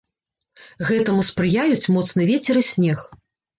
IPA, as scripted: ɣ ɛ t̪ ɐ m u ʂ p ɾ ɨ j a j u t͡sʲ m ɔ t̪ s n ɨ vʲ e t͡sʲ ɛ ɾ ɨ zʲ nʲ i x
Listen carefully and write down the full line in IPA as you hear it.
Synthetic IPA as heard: ɣ ɛ t̪ ɐ m u s p ɾ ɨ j a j u t͡sʲ m ɔ t̪ s n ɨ vʲ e t͡sʲ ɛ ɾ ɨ sʲ nʲ ɛ x